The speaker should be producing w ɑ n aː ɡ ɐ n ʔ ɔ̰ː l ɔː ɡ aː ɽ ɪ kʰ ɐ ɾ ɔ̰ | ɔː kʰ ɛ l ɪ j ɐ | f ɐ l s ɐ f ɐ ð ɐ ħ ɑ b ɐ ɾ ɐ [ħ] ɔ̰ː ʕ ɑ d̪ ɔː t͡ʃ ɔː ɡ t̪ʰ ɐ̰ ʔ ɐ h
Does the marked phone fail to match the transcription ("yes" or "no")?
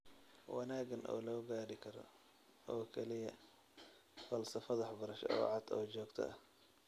yes